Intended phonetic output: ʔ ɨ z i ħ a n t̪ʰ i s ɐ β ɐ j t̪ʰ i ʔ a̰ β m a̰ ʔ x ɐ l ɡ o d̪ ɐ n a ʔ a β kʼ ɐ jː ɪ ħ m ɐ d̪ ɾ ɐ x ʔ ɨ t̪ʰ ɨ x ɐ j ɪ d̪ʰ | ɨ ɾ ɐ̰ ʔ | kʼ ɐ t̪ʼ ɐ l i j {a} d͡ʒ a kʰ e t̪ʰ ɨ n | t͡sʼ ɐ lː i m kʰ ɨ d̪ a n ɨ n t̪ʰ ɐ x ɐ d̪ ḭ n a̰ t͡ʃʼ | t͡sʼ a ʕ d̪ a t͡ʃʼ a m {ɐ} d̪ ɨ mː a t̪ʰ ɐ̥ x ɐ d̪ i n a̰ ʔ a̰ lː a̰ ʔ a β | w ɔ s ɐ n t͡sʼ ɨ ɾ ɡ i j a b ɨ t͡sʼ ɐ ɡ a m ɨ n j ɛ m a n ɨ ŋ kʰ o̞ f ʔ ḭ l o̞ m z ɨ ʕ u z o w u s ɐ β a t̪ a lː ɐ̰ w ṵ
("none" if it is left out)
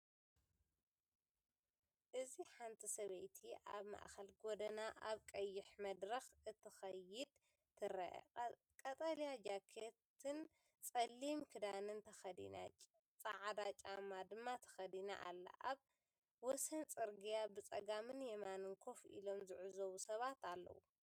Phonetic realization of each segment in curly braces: a, a

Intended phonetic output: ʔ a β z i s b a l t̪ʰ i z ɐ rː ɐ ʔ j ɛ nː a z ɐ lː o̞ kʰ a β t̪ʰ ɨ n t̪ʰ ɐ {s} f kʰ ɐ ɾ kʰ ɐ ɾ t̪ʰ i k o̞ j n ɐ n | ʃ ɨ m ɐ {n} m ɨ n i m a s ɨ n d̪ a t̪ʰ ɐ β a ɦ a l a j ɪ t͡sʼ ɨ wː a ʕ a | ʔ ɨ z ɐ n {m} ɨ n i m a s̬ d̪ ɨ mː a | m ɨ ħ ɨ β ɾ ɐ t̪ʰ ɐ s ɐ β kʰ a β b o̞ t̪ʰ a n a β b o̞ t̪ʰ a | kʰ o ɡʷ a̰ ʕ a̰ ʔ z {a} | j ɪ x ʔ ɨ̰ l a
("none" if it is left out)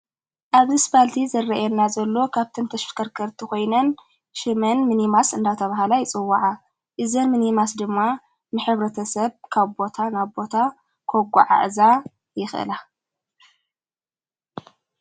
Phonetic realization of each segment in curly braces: ʃ, n, m, a

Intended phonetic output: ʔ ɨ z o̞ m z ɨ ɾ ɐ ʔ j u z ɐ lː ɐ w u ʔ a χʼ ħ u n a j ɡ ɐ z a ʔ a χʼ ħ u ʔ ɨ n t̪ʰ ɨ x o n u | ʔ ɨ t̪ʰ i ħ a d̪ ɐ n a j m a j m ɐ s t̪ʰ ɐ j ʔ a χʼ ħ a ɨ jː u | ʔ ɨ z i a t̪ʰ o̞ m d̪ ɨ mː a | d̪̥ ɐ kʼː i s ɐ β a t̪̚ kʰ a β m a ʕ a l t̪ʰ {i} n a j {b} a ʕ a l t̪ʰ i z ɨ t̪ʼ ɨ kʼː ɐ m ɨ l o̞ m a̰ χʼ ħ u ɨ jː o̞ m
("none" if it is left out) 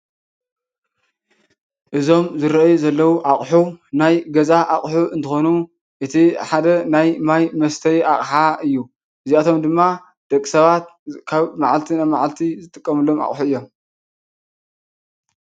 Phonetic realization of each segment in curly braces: i, m

